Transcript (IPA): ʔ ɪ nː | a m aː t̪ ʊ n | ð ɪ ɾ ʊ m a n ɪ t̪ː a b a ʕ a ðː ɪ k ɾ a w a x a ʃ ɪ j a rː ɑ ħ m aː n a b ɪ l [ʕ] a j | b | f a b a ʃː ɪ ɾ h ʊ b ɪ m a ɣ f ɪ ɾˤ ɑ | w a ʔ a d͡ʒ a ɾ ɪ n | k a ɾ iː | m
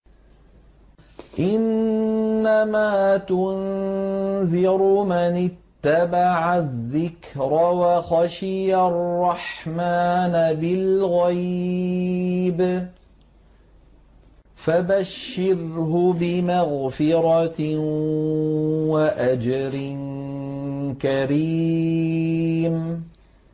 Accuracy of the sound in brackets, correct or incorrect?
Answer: incorrect